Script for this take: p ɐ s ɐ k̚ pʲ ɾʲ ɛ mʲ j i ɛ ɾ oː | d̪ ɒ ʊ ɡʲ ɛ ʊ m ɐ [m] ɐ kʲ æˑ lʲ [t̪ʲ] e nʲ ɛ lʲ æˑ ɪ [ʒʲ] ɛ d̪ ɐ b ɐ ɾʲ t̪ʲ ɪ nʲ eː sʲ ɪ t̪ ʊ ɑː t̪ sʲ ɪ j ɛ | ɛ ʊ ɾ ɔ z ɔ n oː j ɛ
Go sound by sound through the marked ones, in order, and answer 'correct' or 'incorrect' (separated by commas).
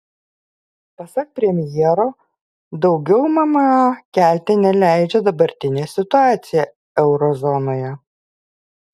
correct, correct, incorrect